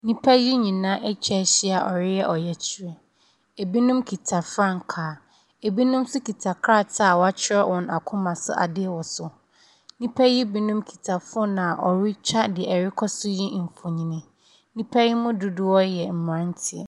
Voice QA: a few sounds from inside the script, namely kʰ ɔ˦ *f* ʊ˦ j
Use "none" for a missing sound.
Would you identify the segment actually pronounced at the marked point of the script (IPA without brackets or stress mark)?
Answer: s